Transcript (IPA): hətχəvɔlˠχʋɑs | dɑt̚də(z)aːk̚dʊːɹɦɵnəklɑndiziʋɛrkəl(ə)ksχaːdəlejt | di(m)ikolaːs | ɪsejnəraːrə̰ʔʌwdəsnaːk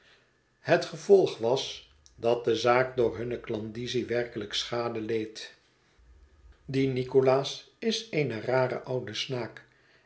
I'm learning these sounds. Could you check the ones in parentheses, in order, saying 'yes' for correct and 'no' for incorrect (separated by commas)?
yes, yes, no